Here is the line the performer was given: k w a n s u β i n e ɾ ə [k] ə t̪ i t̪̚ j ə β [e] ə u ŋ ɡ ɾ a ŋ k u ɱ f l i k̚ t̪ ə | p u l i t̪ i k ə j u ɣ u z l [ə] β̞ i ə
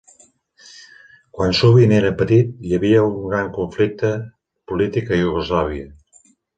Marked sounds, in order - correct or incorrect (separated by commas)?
incorrect, incorrect, incorrect